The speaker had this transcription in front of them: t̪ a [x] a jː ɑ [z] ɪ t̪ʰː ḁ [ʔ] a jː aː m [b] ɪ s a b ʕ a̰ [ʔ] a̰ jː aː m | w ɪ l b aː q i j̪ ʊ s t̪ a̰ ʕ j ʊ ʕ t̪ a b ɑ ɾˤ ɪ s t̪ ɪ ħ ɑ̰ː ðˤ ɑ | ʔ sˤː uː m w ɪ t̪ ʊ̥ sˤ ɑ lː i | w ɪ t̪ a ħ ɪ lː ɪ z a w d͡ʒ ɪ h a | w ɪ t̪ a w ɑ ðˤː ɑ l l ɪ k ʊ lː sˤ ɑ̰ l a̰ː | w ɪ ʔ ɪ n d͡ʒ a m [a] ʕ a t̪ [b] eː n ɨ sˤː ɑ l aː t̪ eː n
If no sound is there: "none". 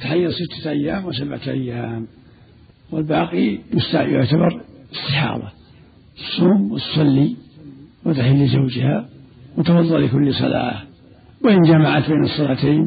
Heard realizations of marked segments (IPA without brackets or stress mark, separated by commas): ħ, s, ʔ, w, ʔ, a, b